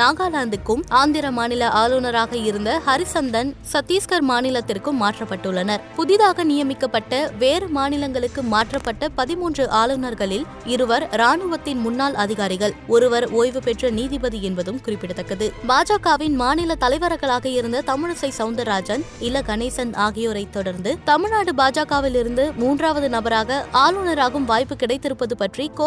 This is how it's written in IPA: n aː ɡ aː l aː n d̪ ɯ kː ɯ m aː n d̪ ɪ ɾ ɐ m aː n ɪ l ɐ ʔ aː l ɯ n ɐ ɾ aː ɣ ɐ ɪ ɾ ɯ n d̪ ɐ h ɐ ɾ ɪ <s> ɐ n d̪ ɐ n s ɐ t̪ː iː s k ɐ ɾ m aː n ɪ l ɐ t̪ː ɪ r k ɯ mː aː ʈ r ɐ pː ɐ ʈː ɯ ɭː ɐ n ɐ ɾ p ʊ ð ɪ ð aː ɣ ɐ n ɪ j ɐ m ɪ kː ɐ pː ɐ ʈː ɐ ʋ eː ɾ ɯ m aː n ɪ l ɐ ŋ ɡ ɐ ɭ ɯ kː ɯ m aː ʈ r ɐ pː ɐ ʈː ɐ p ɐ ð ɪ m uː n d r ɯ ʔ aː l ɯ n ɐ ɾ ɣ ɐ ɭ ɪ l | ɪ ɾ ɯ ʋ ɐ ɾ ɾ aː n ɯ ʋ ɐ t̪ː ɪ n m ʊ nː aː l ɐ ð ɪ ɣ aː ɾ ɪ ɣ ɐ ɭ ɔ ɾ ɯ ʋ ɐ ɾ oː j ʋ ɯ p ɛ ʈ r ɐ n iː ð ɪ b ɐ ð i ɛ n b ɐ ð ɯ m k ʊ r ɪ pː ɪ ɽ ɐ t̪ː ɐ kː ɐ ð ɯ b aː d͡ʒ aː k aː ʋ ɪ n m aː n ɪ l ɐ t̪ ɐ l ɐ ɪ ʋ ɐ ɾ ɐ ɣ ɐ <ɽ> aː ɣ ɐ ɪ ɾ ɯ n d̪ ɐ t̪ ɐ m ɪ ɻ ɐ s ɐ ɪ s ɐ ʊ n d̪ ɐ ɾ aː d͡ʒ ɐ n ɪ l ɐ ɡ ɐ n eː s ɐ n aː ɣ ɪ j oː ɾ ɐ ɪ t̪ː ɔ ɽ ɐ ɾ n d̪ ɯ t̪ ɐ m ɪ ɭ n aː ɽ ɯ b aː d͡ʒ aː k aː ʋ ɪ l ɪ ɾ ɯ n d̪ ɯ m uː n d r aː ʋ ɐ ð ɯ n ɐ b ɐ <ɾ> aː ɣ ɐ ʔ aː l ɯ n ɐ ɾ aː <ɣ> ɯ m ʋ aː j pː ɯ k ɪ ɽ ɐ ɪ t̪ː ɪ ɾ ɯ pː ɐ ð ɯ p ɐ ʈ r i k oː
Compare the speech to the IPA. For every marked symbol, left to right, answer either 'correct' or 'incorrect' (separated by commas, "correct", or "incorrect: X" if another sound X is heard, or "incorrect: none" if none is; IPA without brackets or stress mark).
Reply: correct, incorrect: ɭ, correct, correct